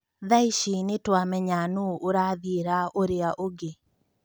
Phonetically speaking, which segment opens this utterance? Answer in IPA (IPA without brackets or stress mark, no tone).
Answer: ð